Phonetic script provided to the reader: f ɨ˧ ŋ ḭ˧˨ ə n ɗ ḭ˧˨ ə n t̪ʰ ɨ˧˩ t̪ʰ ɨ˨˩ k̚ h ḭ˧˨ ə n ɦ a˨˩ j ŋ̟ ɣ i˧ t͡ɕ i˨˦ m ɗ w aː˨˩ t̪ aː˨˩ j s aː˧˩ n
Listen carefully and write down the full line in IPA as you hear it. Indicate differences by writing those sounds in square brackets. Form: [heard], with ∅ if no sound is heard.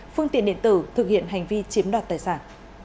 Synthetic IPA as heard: f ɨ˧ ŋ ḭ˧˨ ə n ɗ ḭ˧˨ ə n [t̪] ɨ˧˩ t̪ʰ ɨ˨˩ k̚ h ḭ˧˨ ə n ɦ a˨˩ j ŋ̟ [v] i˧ t͡ɕ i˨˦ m ɗ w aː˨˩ t̪ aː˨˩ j s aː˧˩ n